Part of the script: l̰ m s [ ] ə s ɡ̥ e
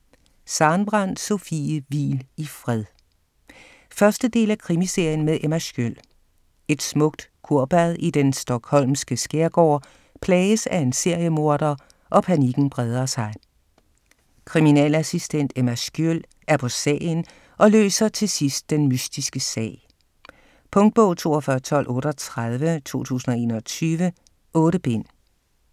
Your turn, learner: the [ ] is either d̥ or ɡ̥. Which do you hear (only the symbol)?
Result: ɡ̥